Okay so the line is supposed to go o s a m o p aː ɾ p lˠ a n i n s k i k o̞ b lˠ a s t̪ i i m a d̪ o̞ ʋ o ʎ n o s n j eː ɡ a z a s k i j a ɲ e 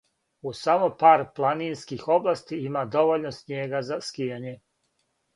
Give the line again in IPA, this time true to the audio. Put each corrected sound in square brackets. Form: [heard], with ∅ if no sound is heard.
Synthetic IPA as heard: [u] s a m o p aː ɾ p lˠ a n i n s k i [x] o̞ b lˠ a s t̪ i i m a d̪ o̞ ʋ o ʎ n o s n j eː ɡ a z a s k i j a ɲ e